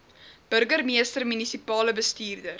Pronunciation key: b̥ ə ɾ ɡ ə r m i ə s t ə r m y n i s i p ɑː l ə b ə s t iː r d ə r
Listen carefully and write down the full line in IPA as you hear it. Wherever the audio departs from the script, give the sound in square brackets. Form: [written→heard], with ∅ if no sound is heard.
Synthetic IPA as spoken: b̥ ə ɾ ɡ ə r m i ə s t ə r m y n i s i p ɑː l ə b ə s t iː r d ə r